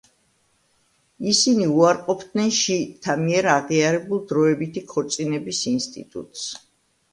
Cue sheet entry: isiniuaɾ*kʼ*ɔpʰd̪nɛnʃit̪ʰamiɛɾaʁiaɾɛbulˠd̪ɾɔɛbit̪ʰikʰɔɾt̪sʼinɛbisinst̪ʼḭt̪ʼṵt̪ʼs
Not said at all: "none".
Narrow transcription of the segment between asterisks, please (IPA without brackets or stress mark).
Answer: qʼ